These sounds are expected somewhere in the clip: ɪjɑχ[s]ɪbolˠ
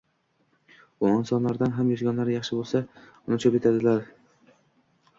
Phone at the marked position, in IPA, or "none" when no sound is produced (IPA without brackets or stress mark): ʃ